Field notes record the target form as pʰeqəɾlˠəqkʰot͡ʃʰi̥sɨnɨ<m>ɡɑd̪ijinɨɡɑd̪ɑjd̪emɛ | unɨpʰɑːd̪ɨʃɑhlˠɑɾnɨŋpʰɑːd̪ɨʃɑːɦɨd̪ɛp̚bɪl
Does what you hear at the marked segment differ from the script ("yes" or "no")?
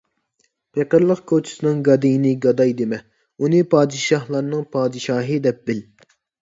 yes